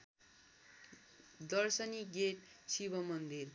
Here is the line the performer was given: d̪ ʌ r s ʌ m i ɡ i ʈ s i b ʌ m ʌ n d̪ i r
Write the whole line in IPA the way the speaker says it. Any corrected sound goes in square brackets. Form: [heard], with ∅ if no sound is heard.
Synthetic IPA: d̪ ʌ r s ʌ [n] i ɡ [e] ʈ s i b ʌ m ʌ n d̪ i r